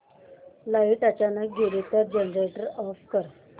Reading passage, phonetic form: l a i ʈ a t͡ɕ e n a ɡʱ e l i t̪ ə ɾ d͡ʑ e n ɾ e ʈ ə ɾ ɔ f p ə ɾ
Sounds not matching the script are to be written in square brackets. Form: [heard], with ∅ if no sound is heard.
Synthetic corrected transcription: l a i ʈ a t͡ɕ [a] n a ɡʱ e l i t̪ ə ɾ d͡ʑ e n ɾ e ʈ ə ɾ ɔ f [k] ə ɾ